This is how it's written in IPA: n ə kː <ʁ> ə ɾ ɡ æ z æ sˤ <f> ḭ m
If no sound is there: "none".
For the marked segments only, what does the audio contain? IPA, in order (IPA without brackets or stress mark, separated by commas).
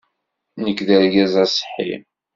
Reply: ð, ħ